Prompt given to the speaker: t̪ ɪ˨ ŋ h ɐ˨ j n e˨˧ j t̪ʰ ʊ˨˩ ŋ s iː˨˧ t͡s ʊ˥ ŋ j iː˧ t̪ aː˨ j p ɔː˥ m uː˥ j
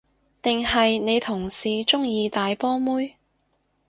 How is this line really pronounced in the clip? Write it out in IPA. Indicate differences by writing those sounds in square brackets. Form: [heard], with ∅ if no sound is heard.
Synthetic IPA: t̪ ɪ˨ ŋ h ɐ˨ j n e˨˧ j t̪ʰ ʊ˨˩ ŋ s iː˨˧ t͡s ʊ˥ ŋ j iː˧ t̪ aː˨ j p ɔː˥ m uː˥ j